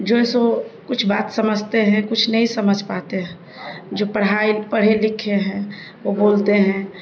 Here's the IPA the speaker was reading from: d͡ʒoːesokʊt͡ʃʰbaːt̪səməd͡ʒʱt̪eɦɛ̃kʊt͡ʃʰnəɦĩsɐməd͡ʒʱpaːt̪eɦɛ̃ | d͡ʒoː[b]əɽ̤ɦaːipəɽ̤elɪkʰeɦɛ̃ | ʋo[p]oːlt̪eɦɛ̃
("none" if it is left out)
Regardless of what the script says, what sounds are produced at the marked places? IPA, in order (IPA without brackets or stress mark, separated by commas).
p, b